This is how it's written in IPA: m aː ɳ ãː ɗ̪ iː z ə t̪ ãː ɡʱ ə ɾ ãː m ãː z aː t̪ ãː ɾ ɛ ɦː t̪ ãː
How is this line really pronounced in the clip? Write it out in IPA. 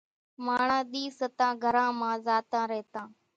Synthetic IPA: m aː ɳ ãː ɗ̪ iː s ə t̪ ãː ɡʱ ə ɾ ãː m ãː z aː t̪ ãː ɾ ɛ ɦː t̪ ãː